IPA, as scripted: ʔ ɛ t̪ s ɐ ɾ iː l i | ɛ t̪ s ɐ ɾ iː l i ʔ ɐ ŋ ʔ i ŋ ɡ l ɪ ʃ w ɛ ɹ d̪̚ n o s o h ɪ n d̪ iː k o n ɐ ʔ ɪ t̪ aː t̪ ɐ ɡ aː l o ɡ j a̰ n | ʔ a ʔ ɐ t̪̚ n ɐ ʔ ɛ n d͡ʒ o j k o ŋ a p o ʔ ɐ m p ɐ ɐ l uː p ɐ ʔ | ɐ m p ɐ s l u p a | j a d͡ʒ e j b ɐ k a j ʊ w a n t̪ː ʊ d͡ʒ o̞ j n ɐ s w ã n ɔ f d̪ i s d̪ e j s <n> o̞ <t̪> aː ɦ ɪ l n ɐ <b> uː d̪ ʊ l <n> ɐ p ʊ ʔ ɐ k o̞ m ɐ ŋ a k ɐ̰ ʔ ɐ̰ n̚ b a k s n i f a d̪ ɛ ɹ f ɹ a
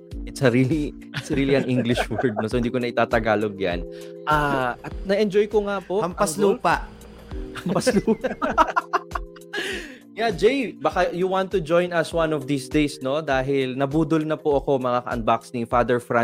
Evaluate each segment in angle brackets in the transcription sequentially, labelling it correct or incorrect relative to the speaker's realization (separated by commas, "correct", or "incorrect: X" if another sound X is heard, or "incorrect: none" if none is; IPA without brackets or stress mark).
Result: correct, incorrect: d̪, correct, correct